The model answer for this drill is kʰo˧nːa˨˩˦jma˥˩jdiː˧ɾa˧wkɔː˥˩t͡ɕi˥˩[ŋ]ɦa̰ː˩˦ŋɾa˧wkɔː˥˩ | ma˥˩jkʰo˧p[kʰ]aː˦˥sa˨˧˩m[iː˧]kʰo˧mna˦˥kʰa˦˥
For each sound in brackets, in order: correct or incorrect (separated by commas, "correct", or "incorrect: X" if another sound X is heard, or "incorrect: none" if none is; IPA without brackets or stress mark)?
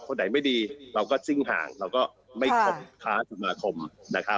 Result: correct, correct, incorrect: aː˧